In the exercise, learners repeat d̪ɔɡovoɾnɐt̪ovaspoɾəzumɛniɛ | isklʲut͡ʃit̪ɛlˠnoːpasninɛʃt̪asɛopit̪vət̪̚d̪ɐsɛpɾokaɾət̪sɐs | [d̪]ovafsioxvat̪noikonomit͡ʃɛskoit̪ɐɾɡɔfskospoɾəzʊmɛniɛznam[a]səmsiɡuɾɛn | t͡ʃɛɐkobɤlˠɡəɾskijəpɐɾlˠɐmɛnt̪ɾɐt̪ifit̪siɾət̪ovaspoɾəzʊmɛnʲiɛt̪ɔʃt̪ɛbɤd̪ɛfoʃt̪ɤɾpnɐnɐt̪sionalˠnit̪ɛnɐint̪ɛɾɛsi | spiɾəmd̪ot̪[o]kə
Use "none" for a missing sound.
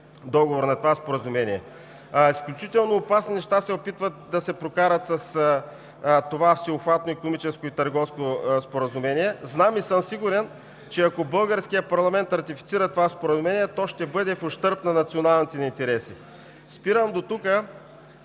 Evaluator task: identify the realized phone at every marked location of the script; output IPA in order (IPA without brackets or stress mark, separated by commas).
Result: t̪, i, u